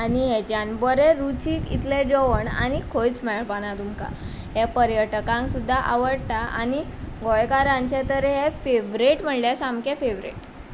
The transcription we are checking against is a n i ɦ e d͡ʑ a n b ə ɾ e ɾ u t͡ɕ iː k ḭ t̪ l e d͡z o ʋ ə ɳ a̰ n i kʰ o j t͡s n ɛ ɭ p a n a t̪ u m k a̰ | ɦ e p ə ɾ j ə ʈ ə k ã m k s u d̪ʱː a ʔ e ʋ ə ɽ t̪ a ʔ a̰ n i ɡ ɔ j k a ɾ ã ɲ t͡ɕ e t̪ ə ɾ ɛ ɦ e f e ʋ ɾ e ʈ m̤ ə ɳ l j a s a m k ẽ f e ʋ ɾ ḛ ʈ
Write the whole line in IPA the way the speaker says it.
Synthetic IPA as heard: a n i ɦ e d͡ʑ a n b ə ɾ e ɾ u t͡ɕ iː k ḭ t̪ l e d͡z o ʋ ə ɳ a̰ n i kʰ o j t͡s m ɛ ɭ p a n a t̪ u m k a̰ | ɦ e p ə ɾ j ə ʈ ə k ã ŋ k s u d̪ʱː a ʔ a ʋ ə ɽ t̪ a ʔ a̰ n i ɡ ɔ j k a ɾ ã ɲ t͡ɕ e t̪ ə ɾ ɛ ɦ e f e ʋ ɾ e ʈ m̤ ə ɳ l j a s a m k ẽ f e ʋ ɾ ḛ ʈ